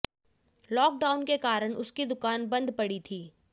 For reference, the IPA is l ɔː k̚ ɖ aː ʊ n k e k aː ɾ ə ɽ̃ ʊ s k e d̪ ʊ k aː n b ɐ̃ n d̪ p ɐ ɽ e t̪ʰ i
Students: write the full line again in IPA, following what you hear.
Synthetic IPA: l ɔː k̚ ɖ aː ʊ n k e k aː ɾ ə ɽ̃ ʊ s k i d̪ ʊ k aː n b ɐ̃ n d̪ p ɐ ɽ i t̪ʰ iː